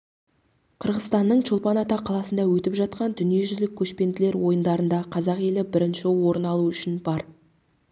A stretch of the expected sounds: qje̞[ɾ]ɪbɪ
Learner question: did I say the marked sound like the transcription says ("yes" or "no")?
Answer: no